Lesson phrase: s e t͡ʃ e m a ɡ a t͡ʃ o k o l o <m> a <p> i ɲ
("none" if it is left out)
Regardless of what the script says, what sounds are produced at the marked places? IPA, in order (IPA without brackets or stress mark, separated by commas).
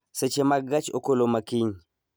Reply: m, k